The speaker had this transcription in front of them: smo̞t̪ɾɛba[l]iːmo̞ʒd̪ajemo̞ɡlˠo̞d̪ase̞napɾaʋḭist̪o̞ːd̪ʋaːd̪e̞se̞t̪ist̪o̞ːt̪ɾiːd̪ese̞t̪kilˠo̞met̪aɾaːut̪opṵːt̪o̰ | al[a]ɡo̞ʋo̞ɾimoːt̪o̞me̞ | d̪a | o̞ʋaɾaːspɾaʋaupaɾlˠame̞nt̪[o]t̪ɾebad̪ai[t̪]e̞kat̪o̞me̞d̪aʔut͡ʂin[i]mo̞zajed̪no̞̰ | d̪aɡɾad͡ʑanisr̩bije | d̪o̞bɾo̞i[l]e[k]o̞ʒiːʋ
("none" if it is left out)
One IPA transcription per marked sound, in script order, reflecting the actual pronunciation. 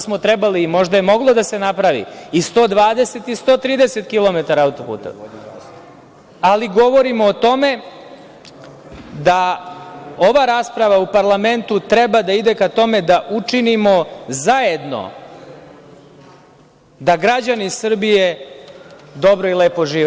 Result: l, i, u, d̪, i, l, p

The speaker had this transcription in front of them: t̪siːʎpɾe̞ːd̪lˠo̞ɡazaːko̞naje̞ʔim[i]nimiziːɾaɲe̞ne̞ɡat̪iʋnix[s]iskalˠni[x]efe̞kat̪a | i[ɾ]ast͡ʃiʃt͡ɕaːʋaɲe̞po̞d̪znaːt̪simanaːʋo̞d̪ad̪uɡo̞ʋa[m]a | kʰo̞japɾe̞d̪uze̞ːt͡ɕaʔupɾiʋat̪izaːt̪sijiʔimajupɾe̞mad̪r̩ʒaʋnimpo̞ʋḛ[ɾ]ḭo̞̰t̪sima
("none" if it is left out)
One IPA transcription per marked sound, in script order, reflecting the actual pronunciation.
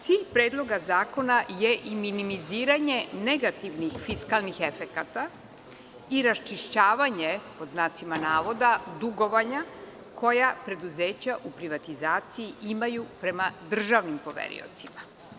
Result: i, f, x, ɾ, ɲ, ɾ

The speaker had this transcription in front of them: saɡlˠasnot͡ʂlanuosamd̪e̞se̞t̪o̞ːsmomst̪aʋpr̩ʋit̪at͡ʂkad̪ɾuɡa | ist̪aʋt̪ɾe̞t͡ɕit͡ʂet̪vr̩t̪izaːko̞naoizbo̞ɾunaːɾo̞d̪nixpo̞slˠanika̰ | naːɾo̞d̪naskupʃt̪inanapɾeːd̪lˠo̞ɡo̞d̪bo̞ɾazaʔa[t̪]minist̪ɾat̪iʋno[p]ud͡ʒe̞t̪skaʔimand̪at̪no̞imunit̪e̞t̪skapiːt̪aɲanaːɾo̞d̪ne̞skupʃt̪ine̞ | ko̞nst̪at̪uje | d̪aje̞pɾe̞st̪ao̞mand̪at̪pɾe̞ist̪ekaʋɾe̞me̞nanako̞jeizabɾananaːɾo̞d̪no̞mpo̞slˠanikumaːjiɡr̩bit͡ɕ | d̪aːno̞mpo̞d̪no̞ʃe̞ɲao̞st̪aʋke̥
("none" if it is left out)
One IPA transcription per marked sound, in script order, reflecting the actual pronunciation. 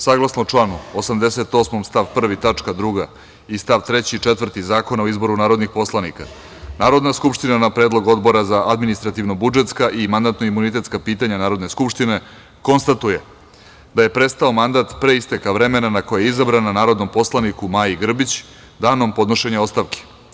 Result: d̪, b

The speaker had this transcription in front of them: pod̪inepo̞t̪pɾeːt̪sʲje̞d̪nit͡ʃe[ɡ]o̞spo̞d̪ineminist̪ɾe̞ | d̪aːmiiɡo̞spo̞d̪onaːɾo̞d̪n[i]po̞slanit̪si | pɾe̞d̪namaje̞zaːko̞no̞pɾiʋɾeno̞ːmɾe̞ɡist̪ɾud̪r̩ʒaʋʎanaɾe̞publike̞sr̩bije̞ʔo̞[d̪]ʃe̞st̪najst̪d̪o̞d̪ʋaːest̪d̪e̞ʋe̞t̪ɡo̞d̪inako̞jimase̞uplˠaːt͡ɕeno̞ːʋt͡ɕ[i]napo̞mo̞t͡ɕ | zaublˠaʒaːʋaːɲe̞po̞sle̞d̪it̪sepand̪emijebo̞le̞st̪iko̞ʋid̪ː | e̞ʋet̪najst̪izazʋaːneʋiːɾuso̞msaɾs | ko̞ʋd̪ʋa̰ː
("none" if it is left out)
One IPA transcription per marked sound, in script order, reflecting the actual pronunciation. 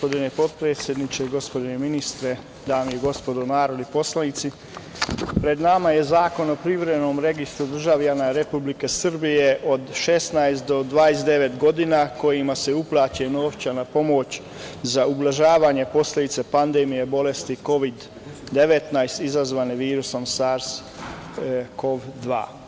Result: ɡ, i, d̪, a

